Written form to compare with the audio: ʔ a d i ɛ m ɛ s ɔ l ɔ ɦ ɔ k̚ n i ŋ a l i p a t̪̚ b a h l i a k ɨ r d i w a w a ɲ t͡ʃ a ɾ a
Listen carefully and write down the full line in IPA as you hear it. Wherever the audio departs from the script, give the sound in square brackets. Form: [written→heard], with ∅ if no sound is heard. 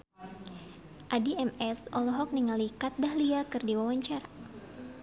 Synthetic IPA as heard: ʔ a d i ɛ m ɛ s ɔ l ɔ ɦ ɔ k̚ n i ŋ a l i [p→k] a t̪̚ b a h l i a k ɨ r d i w a w a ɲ t͡ʃ a ɾ a

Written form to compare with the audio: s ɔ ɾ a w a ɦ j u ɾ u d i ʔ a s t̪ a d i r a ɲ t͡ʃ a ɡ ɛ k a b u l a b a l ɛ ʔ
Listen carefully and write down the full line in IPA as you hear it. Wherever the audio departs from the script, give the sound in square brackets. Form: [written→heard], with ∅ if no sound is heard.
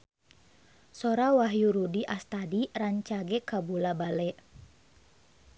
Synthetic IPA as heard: s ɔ ɾ a w a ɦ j u ɾ u d i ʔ a s t̪ a d i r a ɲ t͡ʃ a ɡ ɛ k a b u l a b a l ɛ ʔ

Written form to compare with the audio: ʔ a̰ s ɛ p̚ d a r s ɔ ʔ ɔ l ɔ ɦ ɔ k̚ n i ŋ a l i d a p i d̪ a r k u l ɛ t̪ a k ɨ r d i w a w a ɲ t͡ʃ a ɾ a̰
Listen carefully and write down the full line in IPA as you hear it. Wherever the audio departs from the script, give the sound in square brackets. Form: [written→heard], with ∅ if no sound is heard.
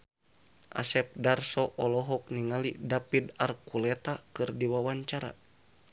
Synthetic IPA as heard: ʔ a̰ s ɛ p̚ d a r s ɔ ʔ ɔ l ɔ ɦ ɔ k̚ n i ŋ a l i d a p i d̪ a r k u l ɛ t̪ a k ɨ r d i w a w a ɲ t͡ʃ a ɾ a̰

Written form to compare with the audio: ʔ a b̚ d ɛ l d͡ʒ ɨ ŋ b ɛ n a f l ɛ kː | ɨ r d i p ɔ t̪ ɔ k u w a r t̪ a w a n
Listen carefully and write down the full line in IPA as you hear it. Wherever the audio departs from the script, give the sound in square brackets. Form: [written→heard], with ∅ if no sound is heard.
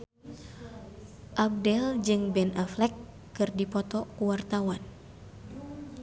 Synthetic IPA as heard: ʔ a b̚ d ɛ l d͡ʒ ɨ ŋ b ɛ n a f l ɛ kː | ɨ r d i p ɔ t̪ ɔ k u w a r t̪ a w a n

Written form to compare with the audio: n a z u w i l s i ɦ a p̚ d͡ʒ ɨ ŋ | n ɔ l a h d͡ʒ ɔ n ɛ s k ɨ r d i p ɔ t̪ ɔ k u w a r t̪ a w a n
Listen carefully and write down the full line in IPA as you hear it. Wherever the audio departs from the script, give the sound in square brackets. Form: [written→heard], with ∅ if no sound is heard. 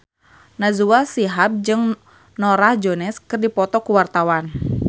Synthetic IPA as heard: n a z u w [i→a] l s i ɦ a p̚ d͡ʒ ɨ ŋ | n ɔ [l→ɾ] a h d͡ʒ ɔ n ɛ s k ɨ r d i p ɔ t̪ ɔ k u w a r t̪ a w a n

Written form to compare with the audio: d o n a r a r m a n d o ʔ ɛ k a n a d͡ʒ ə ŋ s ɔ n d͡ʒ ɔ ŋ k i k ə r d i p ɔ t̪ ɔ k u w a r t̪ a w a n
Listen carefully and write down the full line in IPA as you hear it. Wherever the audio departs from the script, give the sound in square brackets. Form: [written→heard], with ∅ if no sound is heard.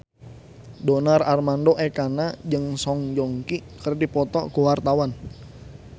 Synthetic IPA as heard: d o n a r a r m a n d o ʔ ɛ k a n a d͡ʒ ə ŋ s ɔ [n→ŋ] d͡ʒ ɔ ŋ k i k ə r d i p ɔ t̪ ɔ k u w a r t̪ a w a n

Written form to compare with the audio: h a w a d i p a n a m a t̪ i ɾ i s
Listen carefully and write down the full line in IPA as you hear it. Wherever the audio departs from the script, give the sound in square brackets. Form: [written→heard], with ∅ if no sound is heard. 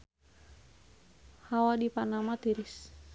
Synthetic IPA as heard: h a w a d i p a n a m a t̪ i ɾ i s

